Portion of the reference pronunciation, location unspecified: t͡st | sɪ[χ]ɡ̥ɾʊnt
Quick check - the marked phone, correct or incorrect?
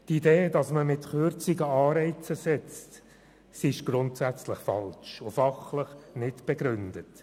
incorrect